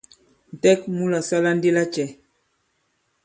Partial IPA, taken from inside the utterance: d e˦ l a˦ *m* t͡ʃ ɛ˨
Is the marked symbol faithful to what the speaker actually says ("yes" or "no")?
no